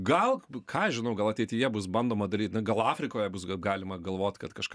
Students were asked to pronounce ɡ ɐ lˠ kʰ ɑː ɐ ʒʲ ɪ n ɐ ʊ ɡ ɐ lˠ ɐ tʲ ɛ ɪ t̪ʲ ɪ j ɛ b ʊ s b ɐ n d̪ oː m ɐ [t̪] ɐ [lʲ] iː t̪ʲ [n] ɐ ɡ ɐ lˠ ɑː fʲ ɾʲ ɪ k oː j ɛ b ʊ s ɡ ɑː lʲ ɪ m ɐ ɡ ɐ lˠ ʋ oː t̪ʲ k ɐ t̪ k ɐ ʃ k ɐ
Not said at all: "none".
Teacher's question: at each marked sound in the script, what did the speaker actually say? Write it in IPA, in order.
d̪, ɾʲ, n

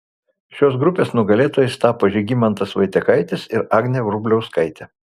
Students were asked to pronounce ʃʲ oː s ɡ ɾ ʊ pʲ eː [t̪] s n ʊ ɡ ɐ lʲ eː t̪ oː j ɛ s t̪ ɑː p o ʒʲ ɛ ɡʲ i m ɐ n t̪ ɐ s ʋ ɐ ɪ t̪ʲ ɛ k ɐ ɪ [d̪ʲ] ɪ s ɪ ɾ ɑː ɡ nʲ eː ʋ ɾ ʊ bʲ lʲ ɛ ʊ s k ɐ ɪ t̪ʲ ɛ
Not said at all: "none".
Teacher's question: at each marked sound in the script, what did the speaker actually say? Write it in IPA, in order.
none, t̪ʲ

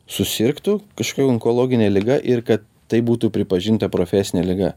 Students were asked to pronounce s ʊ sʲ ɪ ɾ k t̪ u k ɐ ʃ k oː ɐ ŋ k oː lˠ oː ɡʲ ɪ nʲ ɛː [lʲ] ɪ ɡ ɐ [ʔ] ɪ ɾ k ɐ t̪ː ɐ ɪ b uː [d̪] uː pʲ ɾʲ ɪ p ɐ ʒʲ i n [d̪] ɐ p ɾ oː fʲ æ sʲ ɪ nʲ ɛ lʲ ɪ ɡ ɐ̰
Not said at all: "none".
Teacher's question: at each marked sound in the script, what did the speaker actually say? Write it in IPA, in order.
lʲ, ʔ, t̪, t̪

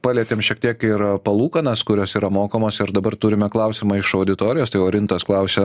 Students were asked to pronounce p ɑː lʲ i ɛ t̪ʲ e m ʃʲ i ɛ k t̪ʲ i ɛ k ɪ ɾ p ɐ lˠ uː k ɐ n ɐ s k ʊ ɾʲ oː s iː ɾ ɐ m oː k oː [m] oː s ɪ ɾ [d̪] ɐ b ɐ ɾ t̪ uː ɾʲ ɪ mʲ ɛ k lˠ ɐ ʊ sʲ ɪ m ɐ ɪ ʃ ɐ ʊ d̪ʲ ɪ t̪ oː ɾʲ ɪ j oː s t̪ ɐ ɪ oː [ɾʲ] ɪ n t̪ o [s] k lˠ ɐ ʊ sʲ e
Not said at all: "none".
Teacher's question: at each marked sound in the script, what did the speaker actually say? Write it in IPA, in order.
m, d̪, ɾʲ, s

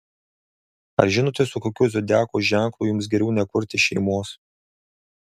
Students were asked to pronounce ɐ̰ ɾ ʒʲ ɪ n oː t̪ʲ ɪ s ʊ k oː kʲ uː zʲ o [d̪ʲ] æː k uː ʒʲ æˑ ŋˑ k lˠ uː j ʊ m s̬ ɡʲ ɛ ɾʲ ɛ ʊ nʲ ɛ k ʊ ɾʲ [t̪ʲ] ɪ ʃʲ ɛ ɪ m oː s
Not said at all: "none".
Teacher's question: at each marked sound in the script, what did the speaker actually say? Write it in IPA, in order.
d̪ʲ, t̪ʲ

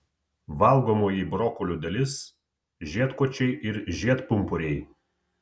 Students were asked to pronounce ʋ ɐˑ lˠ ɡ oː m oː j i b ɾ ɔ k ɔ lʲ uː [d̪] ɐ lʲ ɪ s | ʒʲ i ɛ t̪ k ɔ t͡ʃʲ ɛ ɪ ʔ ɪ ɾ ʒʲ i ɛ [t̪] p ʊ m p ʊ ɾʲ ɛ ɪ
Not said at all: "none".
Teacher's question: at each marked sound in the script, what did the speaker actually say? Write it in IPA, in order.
d̪, t̪

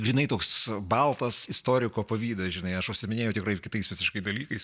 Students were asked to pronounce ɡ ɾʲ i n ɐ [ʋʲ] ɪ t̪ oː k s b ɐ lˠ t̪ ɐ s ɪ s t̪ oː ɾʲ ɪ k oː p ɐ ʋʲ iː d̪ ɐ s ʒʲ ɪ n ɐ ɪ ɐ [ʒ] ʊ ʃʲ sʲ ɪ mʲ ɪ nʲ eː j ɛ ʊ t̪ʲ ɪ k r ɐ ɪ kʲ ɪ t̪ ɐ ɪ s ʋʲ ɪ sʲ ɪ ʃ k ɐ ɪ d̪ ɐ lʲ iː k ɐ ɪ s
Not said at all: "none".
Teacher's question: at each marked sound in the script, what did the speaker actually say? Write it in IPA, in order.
none, ʃ

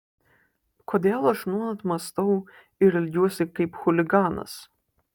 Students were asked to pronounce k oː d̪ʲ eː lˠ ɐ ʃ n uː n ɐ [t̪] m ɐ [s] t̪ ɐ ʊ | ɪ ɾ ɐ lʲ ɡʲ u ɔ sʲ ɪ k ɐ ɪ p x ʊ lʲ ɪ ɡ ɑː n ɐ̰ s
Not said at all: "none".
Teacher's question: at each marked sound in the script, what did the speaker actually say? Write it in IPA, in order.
t̪, s

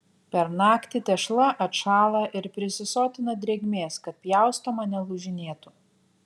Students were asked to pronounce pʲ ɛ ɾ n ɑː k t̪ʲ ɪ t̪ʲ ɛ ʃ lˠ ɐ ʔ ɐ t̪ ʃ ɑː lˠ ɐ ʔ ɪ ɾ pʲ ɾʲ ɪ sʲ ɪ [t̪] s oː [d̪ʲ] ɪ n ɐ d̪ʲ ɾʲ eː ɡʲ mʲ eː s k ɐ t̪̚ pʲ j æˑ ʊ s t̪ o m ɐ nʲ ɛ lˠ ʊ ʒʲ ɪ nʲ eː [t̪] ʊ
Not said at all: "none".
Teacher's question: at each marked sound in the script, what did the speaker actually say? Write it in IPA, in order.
none, t̪ʲ, t̪

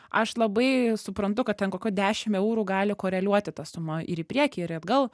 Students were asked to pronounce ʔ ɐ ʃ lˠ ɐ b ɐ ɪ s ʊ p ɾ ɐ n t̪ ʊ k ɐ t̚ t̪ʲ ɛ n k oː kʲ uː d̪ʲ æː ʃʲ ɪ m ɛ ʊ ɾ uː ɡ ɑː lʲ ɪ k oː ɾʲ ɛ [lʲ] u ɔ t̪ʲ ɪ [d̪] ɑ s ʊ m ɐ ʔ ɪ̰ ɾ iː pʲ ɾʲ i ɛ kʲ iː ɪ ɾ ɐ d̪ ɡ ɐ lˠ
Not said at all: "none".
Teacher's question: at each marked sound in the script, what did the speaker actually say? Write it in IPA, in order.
lʲ, t̪

